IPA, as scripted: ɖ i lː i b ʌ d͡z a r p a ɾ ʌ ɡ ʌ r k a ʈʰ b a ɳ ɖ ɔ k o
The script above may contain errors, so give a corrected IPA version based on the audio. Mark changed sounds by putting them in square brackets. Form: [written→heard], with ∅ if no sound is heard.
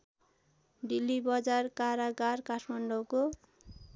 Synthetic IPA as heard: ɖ i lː i b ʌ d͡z a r [p→k] a ɾ [ʌ→a] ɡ [ʌ→a] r k a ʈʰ [b→m] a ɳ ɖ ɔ k o